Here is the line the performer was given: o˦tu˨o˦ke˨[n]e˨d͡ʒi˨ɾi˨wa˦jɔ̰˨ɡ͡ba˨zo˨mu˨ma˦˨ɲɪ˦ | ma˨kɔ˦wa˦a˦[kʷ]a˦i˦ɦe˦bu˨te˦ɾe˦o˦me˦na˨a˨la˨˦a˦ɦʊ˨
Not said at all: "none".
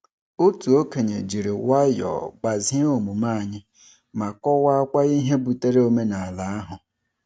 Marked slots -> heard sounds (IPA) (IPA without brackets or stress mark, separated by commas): ɲ, kʷ